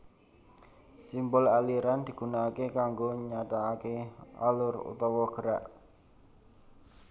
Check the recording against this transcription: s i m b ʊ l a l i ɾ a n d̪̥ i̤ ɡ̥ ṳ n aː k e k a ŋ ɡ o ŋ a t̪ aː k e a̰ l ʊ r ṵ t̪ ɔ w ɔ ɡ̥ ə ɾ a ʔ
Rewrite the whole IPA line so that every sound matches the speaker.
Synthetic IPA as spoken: s i m b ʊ l a l i ɾ a n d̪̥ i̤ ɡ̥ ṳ n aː k e k a ŋ ɡ o ɲ a t̪ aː k e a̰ l ʊ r ṵ t̪ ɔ w ɔ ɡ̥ ə ɾ a ʔ